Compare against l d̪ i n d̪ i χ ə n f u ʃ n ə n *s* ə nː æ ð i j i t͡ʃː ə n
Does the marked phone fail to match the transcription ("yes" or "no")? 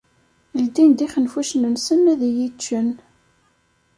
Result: no